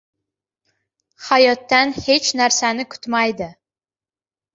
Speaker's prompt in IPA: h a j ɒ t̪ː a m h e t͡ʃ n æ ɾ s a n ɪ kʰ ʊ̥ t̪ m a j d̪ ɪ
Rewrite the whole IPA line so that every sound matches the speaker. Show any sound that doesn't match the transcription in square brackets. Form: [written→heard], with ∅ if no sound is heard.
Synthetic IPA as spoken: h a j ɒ t̪ː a [m→n] h e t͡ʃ n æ ɾ s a n ɪ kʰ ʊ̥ t̪ m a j d̪ ɪ